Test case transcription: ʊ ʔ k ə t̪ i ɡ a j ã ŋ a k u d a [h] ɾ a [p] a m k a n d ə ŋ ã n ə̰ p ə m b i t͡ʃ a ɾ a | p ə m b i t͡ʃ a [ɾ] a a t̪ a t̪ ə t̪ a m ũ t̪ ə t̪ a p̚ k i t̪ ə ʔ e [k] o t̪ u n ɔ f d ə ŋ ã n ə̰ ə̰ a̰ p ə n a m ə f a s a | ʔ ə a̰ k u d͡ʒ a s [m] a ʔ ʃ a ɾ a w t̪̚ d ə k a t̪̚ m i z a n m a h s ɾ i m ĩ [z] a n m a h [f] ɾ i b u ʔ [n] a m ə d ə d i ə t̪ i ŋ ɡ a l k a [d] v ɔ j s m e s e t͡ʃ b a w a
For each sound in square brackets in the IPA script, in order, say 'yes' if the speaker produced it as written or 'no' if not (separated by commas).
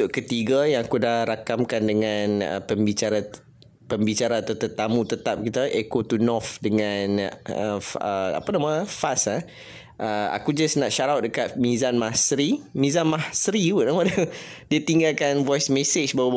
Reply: yes, no, yes, yes, no, yes, no, yes, no